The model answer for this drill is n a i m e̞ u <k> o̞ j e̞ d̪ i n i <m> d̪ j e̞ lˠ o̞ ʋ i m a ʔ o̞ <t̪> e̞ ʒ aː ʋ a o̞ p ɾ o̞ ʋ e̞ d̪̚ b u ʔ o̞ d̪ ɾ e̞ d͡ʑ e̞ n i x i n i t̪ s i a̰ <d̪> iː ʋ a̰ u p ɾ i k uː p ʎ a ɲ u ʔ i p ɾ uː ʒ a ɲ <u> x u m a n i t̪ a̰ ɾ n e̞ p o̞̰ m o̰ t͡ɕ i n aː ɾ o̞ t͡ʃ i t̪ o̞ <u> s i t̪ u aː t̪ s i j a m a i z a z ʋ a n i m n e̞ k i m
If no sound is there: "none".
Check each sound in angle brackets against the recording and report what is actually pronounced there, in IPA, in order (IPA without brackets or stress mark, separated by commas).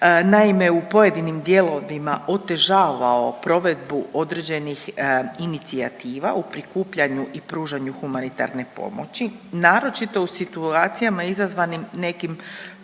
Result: p, m, t̪, t̪, u, u